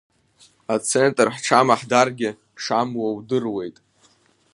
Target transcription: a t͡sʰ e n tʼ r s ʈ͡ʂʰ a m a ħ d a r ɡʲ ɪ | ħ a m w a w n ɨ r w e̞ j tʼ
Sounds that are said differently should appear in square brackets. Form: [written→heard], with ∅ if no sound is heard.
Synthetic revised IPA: a t͡sʰ e n tʼ r [s→ħ] ʈ͡ʂʰ a m a ħ d a r ɡʲ ɪ | [ħ→ʂ] a m w a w [n→d] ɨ r w e̞ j tʼ